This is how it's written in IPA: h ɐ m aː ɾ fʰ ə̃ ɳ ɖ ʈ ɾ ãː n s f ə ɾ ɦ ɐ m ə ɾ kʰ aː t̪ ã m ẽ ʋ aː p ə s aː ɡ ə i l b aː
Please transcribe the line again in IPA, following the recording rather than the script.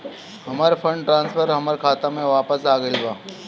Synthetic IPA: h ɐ m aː ɾ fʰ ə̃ ɳ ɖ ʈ ɾ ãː n s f ə ɾ ɦ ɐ m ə ɾ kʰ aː t̪ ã m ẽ ʋ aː p ə s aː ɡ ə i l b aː